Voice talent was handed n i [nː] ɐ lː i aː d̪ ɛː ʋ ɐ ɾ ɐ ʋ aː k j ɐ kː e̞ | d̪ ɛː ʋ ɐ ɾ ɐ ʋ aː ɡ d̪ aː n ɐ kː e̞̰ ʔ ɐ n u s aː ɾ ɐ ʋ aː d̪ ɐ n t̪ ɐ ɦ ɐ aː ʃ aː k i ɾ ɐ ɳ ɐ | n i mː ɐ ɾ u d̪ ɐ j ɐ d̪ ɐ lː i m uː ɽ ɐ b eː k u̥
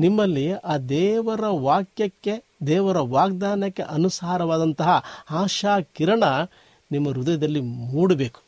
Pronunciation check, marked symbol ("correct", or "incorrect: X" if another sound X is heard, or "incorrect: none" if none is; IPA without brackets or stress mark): incorrect: mː